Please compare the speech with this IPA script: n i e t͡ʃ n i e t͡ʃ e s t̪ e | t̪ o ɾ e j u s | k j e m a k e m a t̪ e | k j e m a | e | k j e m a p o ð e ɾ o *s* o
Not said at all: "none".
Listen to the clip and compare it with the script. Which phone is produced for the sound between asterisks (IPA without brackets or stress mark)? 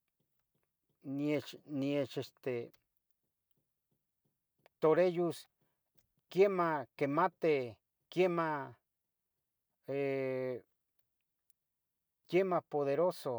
s